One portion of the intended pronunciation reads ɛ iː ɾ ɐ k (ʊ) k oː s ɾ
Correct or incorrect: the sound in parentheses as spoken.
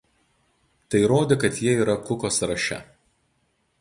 correct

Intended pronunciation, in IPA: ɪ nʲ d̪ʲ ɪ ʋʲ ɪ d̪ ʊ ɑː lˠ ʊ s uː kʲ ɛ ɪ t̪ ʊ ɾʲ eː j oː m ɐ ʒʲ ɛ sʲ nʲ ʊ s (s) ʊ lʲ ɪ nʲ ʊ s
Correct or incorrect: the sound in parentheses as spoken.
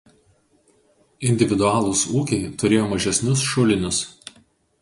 incorrect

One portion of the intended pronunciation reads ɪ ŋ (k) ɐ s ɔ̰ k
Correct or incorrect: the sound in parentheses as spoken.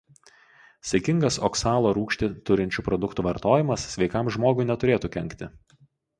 incorrect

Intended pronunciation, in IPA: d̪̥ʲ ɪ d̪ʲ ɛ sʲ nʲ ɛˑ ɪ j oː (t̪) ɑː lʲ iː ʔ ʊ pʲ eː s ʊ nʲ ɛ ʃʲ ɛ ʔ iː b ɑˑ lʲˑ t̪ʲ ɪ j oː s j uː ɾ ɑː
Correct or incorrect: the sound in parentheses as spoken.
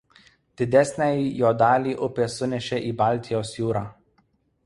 incorrect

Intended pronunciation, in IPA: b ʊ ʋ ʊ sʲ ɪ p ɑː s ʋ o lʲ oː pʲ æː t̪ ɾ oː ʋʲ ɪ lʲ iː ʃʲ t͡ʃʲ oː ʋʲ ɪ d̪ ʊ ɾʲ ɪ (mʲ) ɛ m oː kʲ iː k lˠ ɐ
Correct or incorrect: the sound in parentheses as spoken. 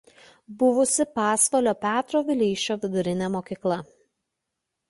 incorrect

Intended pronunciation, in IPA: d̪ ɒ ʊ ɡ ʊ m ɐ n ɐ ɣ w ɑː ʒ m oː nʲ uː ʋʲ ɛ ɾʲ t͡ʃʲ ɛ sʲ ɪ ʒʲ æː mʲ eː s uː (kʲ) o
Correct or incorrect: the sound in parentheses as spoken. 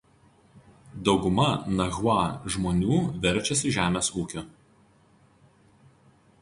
correct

